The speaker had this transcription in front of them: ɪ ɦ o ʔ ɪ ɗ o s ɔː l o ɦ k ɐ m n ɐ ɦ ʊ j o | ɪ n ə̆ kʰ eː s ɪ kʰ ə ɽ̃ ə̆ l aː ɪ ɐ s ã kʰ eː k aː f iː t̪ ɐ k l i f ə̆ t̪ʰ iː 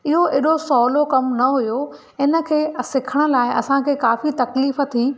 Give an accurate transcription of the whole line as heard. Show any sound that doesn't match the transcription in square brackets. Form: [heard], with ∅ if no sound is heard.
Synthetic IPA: ɪ ɦ o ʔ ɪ ɗ o s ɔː l o [∅] k ɐ m n ɐ ɦ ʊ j o | ɪ n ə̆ kʰ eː s ɪ kʰ ə ɽ̃ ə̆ l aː ɪ ɐ s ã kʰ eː k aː f [i] t̪ ɐ k l [iː] f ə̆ t̪ʰ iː

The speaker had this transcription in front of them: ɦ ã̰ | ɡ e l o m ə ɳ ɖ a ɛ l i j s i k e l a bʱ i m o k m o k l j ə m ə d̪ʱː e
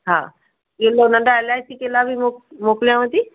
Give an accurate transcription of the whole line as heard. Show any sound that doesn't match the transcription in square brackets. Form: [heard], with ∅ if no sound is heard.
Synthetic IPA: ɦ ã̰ | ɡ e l o [n] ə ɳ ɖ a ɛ l [a] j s i k e l a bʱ i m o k m o k l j [a] m ə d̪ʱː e

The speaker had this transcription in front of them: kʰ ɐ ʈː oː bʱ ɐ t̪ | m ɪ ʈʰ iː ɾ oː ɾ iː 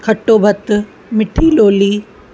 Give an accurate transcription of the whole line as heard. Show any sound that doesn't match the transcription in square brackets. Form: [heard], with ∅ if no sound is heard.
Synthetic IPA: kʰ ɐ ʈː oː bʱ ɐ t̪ | m ɪ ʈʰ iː [l] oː [l] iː

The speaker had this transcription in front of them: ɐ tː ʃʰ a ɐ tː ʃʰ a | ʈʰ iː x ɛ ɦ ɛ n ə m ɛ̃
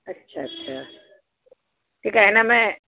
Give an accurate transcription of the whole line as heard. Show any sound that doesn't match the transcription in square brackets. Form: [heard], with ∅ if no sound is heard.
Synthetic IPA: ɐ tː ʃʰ a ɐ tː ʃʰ a | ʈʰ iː [k] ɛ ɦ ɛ n [a] m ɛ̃

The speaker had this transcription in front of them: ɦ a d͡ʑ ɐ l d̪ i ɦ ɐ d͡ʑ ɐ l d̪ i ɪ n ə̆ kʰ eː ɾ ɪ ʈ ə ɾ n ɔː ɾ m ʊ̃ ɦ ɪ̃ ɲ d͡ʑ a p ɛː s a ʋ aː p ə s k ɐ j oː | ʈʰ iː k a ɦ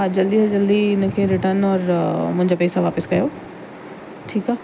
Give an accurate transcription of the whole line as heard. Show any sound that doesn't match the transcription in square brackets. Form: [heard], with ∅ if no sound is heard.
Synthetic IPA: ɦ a d͡ʑ ɐ l d̪ i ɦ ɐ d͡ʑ ɐ l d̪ i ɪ n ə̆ kʰ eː ɾ ɪ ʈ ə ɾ n ɔː ɾ m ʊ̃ ɦ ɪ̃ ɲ d͡ʑ a p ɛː s a ʋ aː p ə s k ɐ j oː | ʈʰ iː k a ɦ

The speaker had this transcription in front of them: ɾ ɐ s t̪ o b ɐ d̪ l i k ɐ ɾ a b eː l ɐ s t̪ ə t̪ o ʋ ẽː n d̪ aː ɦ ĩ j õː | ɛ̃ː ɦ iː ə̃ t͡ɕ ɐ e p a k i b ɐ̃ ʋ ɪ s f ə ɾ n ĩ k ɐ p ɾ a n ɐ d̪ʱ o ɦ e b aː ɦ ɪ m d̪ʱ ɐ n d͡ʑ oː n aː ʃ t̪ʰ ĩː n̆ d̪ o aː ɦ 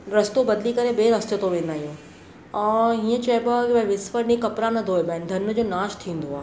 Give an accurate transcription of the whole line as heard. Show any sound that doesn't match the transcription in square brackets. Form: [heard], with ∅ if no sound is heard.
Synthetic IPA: ɾ ɐ s t̪ o b ɐ d̪ l i k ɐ ɾ [e] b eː [ɾ] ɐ s t̪ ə t̪ o ʋ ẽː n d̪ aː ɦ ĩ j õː | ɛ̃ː ɦ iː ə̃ t͡ɕ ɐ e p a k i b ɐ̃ ʋ ɪ s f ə ɾ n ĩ k ɐ p ɾ a n ɐ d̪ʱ o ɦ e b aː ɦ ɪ [n] d̪ʱ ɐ n d͡ʑ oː n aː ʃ t̪ʰ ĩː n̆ d̪ o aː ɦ

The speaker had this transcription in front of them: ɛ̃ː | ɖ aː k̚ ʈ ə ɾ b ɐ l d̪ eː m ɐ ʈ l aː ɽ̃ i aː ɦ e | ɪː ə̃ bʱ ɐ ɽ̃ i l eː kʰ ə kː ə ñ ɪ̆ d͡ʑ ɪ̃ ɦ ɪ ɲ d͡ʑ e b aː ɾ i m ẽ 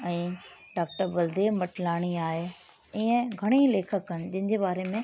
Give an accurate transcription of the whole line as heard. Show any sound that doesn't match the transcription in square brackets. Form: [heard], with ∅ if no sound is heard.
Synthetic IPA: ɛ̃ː | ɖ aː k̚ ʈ ə ɾ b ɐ l d̪ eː m ɐ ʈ l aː ɽ̃ i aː ɦ e | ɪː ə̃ [ɡʱ] ɐ ɽ̃ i l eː kʰ ə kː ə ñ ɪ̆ d͡ʑ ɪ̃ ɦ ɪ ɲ d͡ʑ e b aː ɾ [e] m ẽ

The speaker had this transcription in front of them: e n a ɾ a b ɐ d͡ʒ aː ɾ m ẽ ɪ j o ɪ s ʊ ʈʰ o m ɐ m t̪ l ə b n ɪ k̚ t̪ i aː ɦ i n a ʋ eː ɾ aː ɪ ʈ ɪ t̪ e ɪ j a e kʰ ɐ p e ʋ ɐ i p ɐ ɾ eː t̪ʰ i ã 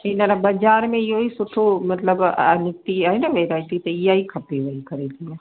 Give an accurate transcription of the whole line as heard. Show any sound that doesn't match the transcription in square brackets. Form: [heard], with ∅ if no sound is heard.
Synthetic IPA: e n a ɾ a b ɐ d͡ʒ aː ɾ m ẽ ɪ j o [i] s ʊ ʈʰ o m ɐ [∅] t̪ l ə b n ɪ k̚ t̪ i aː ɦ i n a ʋ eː ɾ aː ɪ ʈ [i] t̪ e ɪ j a [i] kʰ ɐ p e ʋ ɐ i [k] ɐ ɾ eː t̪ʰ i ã

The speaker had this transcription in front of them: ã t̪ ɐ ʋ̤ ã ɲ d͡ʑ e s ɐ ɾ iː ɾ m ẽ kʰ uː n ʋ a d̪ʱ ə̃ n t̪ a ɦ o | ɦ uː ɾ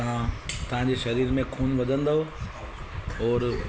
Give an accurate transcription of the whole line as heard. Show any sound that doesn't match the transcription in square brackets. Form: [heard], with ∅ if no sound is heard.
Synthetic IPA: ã t̪ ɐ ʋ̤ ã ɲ d͡ʑ e [ʃ] ɐ ɾ iː ɾ m ẽ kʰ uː n ʋ [ɐ] d̪ʱ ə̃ n [d̪] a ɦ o | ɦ [ɔː] ɾ

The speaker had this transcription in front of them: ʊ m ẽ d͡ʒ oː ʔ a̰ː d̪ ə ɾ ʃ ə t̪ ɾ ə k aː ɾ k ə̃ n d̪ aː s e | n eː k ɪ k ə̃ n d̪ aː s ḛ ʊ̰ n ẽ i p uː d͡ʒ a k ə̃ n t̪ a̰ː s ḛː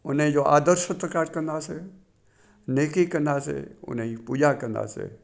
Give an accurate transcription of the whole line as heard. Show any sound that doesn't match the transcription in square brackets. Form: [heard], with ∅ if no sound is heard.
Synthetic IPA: ʊ [n] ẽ d͡ʒ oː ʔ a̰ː d̪ ə ɾ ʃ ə t̪ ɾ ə k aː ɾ k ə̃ n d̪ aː s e | n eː k [i] k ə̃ n d̪ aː s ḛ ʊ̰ n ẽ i p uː d͡ʒ a k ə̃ n [d̪] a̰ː s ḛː

